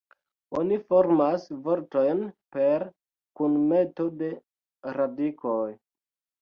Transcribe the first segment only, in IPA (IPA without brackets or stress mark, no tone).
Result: o